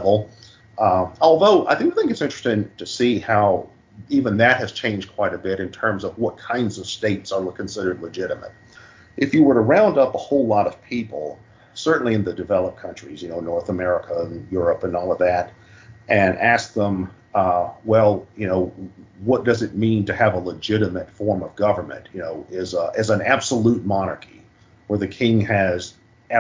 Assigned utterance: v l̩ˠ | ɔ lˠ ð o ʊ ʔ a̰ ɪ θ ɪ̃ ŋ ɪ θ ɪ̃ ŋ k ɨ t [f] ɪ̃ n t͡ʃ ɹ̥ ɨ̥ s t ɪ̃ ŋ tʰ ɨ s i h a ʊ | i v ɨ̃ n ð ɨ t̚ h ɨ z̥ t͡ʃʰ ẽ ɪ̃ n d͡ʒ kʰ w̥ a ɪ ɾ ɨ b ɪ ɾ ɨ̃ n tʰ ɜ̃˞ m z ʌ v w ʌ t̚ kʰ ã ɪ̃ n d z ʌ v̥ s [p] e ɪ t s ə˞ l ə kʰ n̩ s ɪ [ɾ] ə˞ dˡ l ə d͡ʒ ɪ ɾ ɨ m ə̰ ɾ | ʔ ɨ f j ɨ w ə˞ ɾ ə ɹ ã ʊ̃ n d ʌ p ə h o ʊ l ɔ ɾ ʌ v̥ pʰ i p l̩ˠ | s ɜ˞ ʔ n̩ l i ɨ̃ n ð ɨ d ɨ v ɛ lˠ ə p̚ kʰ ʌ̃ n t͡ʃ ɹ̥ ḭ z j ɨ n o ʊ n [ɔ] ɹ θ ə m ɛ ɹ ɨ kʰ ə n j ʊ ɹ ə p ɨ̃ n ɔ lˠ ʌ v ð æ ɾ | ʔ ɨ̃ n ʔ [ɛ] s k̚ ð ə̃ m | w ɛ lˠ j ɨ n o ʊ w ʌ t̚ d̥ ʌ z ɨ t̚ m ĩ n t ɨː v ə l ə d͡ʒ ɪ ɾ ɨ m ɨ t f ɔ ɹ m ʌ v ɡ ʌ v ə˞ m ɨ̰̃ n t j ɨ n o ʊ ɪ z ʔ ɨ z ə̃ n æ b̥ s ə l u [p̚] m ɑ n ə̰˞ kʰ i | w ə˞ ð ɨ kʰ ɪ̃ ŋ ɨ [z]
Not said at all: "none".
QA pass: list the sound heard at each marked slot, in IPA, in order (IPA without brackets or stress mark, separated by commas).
s, t, ɾ, ɔ, æ, t̚, z